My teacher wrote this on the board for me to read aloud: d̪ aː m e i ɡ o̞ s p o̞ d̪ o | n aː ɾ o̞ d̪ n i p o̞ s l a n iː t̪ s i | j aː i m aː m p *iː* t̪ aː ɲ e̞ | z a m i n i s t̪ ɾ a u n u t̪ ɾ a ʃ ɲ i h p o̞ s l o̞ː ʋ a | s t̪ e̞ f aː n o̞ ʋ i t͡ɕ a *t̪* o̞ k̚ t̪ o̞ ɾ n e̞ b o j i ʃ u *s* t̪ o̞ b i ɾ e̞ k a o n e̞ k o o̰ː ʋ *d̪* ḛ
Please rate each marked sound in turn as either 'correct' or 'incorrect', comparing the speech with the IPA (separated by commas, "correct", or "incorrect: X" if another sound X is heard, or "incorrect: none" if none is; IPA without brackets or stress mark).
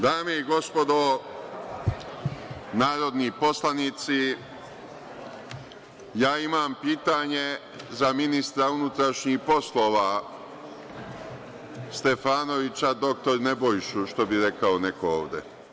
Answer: correct, incorrect: d̪, incorrect: ʃ, correct